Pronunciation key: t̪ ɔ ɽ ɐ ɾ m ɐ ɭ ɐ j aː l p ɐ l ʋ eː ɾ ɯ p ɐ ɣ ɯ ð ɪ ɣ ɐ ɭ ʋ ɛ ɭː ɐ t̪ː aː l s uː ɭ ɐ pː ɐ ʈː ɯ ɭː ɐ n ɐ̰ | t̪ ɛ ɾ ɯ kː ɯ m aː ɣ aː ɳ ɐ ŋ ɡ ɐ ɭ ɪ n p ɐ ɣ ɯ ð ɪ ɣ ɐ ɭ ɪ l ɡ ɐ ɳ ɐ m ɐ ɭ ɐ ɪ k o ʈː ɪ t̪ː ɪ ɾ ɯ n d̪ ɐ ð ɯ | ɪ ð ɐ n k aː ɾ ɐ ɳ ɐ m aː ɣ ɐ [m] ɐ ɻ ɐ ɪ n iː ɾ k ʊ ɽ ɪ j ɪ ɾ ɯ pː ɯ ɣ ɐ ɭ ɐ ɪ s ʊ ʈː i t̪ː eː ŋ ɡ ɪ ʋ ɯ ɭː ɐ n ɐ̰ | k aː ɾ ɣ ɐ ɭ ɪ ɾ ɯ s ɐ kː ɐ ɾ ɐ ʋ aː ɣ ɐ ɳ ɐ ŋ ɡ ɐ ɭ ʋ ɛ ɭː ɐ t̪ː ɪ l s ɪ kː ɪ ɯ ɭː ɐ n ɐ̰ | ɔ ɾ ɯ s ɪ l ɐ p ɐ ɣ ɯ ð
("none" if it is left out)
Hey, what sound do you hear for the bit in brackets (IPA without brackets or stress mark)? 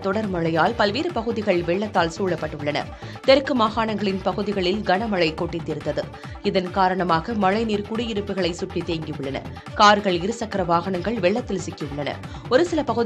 m